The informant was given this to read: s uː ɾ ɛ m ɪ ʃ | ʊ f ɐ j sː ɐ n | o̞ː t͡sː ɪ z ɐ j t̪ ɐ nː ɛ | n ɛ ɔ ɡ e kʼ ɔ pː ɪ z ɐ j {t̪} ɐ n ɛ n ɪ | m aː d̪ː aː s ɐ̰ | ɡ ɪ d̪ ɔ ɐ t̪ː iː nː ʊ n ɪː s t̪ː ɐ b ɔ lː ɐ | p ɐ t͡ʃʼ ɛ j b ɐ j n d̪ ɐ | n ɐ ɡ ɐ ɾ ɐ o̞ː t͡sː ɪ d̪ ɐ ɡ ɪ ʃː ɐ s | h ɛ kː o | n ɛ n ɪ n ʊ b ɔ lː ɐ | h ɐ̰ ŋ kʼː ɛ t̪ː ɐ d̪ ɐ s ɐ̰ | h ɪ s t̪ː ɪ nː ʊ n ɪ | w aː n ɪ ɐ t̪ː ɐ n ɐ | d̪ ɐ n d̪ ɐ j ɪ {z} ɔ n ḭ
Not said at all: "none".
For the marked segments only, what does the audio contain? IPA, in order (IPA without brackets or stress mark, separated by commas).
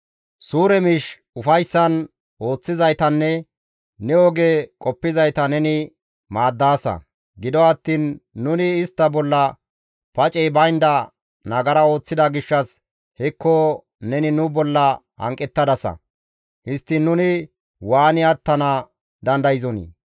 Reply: t̪, z